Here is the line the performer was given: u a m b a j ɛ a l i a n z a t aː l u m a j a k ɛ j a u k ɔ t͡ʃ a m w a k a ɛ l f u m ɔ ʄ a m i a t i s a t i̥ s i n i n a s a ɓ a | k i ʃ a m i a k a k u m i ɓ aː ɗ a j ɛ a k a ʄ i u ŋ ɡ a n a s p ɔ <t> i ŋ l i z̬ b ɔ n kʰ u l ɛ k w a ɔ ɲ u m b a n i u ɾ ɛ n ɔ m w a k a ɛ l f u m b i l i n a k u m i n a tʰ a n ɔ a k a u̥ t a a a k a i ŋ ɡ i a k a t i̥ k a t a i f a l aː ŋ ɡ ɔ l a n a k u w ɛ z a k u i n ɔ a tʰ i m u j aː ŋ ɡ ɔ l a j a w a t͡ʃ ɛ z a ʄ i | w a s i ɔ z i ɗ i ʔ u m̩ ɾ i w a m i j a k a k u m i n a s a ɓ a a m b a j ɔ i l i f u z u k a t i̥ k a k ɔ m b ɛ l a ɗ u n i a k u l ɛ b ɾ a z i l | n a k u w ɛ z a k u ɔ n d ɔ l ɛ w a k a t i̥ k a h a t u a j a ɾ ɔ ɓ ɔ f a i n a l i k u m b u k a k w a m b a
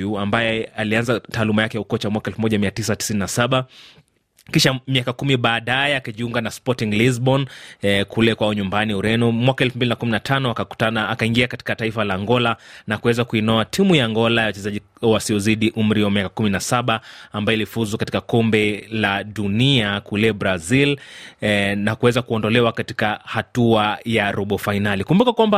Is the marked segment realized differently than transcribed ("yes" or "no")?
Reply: no